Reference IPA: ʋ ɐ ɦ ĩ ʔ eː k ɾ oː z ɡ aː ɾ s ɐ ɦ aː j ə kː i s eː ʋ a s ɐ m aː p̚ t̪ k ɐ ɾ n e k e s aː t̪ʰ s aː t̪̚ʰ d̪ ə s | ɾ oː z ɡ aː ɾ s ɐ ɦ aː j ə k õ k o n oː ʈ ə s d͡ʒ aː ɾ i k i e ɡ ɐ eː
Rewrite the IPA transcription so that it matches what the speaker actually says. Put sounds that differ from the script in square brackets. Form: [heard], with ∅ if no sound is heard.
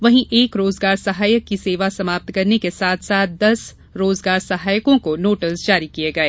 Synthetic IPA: ʋ ɐ ɦ ĩ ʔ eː k ɾ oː z ɡ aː ɾ s ɐ ɦ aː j ə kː i s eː ʋ a s ɐ m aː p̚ t̪ k ɐ ɾ n e k e s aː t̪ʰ s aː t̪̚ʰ d̪ [ɐ] s | ɾ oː z ɡ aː ɾ s ɐ ɦ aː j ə k õ k o n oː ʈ ə s d͡ʒ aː ɾ i k i e ɡ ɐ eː